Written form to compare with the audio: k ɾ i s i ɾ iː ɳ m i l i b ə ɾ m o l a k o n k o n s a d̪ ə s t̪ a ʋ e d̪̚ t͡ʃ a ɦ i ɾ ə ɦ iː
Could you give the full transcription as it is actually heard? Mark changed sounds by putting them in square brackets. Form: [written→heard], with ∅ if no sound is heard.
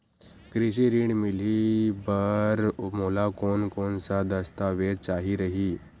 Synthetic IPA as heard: k ɾ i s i ɾ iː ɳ m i l i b ə ɾ m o l a k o n k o n s a d̪ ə s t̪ a ʋ e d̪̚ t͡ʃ a ɦ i ɾ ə ɦ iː

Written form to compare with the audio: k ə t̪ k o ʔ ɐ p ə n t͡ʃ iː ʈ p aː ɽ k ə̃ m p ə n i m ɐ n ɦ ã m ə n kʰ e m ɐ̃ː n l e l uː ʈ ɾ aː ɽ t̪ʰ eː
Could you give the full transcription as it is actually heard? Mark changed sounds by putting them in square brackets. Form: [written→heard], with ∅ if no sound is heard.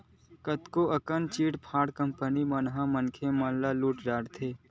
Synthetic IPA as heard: k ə t̪ k o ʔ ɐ [p→k] ə n t͡ʃ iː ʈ [p→pʰ] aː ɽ k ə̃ m p ə n i m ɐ n ɦ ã m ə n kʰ e m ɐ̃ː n l [e→a] l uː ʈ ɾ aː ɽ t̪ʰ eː

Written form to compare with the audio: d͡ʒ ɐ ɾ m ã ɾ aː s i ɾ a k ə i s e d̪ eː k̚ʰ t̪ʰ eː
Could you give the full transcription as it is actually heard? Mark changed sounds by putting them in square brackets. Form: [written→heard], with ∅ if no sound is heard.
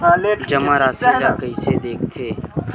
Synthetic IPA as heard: d͡ʒ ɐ [ɾ→∅] m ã ɾ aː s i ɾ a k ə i s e d̪ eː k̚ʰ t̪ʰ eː

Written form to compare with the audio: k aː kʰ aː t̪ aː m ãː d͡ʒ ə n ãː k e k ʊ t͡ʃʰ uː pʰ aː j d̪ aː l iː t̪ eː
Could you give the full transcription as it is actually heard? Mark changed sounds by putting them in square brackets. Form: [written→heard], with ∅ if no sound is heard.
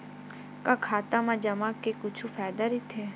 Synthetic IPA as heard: k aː kʰ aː t̪ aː m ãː d͡ʒ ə [n→m] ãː k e k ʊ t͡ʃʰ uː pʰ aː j d̪ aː [l→ɾ] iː [t̪→t̪ʰ] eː

